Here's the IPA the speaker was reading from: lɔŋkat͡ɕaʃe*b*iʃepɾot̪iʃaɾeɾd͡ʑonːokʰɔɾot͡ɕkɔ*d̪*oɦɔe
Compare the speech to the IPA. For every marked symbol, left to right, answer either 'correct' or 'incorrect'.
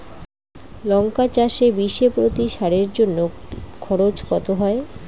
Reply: correct, incorrect: t̪

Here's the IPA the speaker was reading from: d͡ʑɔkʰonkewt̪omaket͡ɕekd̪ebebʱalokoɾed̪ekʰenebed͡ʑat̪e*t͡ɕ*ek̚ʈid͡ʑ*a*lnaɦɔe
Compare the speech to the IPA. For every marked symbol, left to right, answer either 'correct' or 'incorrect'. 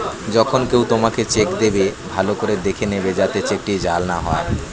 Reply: correct, correct

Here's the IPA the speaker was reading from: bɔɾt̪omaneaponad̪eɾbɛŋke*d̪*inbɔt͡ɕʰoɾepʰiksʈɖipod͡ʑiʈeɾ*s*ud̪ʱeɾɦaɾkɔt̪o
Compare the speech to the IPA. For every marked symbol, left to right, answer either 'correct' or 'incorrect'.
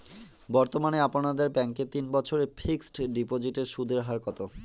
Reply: incorrect: t̪, incorrect: ʃ

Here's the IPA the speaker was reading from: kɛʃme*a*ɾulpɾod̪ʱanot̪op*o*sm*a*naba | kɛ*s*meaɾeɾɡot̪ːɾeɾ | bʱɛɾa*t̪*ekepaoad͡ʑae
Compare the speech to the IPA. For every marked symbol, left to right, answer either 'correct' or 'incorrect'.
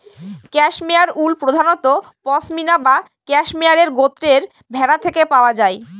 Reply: correct, incorrect: ɔ, incorrect: i, incorrect: ʃ, incorrect: t̪ʰ

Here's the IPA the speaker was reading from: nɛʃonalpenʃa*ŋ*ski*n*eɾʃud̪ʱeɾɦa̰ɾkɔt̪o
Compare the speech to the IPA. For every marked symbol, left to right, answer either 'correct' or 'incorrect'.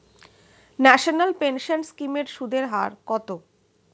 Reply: incorrect: n, incorrect: m

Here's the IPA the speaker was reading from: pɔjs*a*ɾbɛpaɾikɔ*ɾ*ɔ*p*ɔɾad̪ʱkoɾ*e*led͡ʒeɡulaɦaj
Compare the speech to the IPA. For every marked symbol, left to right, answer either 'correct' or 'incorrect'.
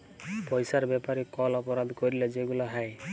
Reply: correct, incorrect: l, correct, incorrect: i

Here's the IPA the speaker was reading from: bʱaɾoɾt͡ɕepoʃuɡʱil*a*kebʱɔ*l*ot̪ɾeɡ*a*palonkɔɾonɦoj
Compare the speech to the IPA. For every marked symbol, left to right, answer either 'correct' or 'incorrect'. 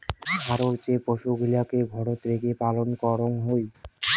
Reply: correct, incorrect: ɽ, incorrect: e

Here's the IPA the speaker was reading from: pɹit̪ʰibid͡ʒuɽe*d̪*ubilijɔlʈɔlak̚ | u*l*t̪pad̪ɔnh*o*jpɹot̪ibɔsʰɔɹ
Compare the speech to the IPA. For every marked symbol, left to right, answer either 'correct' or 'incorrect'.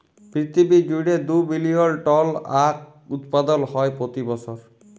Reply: correct, incorrect: none, incorrect: ɔ

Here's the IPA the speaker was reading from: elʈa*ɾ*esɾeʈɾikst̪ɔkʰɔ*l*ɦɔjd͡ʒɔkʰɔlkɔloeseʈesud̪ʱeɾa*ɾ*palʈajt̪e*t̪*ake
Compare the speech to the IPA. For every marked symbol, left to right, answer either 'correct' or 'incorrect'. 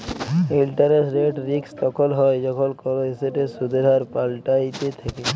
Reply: correct, correct, correct, incorrect: t̪ʰ

